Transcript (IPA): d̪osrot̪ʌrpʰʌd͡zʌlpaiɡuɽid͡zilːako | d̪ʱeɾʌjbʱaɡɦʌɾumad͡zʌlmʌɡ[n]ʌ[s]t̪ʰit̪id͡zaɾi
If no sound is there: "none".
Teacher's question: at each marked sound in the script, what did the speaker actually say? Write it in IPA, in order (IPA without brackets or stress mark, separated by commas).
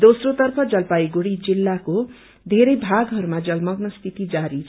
n, s